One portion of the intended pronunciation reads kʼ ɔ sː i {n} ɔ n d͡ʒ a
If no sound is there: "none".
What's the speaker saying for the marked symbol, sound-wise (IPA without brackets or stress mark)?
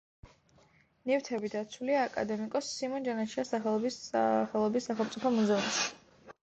m